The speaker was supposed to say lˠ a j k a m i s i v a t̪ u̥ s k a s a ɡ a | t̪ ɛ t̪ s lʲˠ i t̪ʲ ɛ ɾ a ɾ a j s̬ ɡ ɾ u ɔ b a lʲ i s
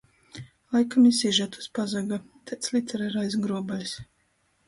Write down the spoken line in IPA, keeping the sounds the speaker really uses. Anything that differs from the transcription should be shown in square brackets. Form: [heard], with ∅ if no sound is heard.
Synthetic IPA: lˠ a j k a m i s i [ʒ] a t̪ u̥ s [p] a [z] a ɡ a | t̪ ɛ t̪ s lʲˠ i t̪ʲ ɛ ɾ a ɾ a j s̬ ɡ ɾ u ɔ b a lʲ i s